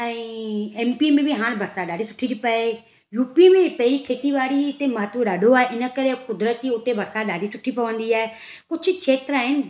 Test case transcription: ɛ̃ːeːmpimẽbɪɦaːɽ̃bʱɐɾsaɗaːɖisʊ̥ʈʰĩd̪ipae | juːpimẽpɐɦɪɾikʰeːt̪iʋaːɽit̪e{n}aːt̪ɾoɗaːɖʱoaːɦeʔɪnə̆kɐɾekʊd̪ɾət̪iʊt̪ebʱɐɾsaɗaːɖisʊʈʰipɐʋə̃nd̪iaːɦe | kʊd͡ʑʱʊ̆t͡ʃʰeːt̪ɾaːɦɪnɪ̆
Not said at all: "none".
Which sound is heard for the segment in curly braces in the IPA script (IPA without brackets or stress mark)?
m